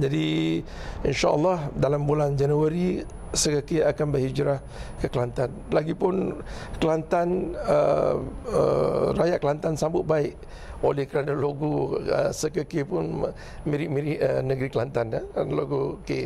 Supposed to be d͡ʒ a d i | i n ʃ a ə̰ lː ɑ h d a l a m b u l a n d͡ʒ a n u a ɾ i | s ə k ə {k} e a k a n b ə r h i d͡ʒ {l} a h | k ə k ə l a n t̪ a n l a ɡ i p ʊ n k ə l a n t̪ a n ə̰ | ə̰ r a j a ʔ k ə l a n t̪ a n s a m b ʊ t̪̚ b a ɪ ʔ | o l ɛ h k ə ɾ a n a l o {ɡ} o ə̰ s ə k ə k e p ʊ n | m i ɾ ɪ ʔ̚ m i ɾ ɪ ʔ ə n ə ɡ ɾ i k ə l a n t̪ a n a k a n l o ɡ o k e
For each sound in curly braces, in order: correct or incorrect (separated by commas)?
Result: correct, incorrect, correct